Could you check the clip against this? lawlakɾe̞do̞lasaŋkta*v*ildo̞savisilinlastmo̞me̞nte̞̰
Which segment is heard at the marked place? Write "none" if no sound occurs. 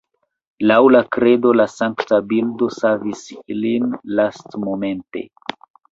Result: b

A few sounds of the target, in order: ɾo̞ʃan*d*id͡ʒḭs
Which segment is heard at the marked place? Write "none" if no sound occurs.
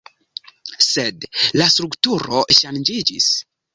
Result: d͡ʒ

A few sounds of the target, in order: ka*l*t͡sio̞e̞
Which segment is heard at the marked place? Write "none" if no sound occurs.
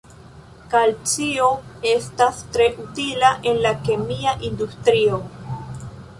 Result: l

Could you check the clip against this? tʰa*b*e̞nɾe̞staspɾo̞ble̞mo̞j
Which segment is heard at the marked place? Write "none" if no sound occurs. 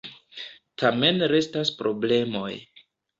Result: m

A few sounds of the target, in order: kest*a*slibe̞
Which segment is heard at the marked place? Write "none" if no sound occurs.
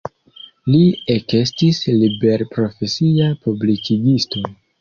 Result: i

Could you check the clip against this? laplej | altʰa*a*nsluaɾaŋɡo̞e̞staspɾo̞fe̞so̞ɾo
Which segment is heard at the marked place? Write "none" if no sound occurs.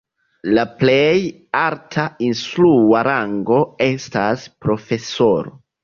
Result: i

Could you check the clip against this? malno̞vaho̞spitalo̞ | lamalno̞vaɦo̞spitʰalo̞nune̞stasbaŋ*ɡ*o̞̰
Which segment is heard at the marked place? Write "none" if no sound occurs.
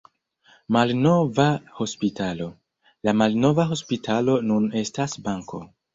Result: k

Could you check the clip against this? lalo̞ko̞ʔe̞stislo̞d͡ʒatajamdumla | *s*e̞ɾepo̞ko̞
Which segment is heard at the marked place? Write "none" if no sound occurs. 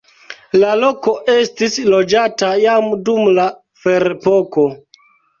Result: f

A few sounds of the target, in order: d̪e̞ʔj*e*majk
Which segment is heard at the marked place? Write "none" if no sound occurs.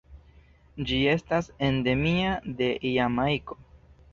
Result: a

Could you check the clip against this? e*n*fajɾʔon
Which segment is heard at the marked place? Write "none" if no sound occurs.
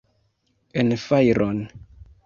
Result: n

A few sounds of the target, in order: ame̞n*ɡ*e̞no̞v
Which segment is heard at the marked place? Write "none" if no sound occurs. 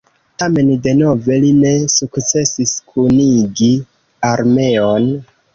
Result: d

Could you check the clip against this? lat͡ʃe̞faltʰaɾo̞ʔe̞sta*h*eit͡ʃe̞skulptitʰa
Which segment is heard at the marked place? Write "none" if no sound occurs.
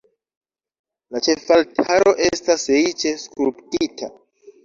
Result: s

